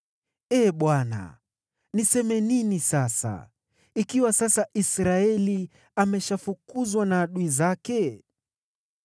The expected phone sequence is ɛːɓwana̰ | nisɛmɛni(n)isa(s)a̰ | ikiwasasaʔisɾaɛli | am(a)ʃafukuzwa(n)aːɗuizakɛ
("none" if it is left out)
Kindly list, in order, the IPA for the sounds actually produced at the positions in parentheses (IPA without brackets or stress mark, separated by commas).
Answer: n, s, ɛ, n